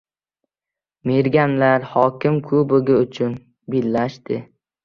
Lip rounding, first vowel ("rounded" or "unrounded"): unrounded